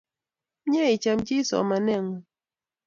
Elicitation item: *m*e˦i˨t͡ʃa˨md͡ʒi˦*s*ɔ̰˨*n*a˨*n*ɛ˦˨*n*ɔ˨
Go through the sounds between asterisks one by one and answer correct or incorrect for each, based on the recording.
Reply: incorrect: ɲ, correct, incorrect: m, correct, incorrect: ŋ

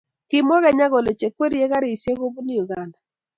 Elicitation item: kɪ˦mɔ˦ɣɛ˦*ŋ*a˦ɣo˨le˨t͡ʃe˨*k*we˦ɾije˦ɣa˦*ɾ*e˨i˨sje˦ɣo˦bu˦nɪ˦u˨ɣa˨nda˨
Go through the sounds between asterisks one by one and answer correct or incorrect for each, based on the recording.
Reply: incorrect: ɲ, correct, correct

